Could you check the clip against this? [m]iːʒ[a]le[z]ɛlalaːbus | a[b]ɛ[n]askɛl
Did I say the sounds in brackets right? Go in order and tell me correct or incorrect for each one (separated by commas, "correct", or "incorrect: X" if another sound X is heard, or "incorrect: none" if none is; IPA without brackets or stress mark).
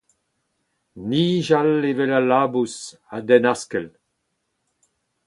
incorrect: n, correct, incorrect: v, incorrect: d, correct